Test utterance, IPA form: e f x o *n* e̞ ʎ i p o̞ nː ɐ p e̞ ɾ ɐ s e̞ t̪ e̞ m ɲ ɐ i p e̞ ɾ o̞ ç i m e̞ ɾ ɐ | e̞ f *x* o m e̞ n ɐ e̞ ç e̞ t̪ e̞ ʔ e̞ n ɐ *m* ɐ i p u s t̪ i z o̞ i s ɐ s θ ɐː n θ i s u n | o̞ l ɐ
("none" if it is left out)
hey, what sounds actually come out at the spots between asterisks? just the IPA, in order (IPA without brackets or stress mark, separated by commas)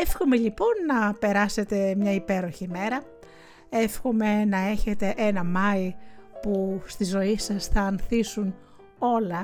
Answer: m, x, m